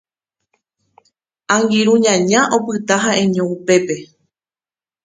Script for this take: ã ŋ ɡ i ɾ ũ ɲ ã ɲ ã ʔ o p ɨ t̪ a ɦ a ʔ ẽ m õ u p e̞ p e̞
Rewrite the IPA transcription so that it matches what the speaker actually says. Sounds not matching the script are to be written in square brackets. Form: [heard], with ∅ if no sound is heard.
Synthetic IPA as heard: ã ŋ ɡ i ɾ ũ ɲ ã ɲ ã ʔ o p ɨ t̪ a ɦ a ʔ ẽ [ɲ] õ u p e̞ p e̞